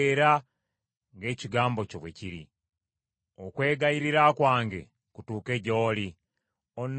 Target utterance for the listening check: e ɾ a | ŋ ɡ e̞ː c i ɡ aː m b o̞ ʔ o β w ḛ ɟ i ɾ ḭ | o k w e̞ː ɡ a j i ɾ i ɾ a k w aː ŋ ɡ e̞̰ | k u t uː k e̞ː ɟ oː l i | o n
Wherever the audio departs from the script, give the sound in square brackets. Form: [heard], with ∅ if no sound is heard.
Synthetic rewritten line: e ɾ a | ŋ ɡ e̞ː c i ɡ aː m b o̞ [c] o β w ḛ [c] i ɾ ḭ | o k w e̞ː ɡ a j i ɾ i ɾ a k w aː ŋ ɡ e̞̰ | k u t uː k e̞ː ɟ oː l i | o n

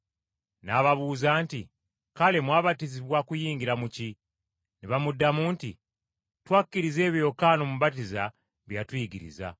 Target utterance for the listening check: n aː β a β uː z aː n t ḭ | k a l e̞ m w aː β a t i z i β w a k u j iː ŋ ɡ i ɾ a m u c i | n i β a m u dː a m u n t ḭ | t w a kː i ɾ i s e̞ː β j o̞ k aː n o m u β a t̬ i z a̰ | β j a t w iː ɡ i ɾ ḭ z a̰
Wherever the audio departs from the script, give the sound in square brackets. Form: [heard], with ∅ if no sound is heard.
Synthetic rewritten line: n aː β a β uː z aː n t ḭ | k a l e̞ m w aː β a t i z i β w a k u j iː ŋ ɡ i ɾ a m u c i | n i β a m u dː a m u n t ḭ | t w a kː i ɾ i [z] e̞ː β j o̞ k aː n o m u β a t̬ i z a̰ | β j a t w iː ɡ i ɾ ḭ z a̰

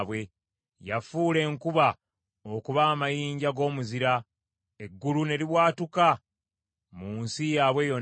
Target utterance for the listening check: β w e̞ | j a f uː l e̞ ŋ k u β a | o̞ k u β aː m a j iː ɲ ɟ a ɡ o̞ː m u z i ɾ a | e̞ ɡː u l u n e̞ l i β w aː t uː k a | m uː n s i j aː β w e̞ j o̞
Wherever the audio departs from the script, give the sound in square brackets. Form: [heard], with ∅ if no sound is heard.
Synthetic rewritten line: β w e̞ | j a f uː l e̞ ŋ k u β a | o̞ k u β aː m a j iː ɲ ɟ a ɡ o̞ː m u z i ɾ a | e̞ ɡː u l u n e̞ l i β w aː t [u] k a | m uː n s i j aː β w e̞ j o̞

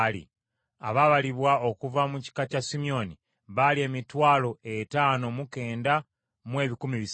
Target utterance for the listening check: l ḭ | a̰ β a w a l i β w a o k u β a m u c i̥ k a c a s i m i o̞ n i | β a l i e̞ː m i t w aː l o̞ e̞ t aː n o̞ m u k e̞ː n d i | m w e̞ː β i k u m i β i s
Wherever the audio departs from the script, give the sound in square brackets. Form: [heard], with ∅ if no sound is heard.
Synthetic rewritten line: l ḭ | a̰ β a [β] a l i β w a o k u [v] a m u c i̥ k a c a s i m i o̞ n i | β a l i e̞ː m i t w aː l o̞ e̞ t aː n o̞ m u k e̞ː n d [a] | m w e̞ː β i k u m i β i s

